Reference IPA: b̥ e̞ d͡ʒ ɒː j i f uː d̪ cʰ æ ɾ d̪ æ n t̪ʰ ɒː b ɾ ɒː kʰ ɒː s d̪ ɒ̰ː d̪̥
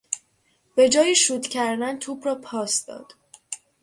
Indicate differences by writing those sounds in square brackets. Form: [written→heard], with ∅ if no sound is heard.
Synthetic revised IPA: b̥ e̞ d͡ʒ ɒː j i [f→ʃ] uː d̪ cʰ æ ɾ d̪ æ n t̪ʰ [ɒː→uː] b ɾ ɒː [kʰ→pʰ] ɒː s d̪ ɒ̰ː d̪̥